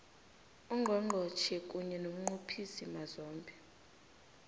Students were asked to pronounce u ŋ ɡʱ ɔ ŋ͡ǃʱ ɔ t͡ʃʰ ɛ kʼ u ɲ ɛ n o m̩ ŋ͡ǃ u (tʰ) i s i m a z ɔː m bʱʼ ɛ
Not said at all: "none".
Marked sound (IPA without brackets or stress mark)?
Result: pʰ